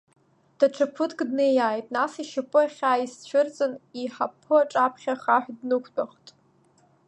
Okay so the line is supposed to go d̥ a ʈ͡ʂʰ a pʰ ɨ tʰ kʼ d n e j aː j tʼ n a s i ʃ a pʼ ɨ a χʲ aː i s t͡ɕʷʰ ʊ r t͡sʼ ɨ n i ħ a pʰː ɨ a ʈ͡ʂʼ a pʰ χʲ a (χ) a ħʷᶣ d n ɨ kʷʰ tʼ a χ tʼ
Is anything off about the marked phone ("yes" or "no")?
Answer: no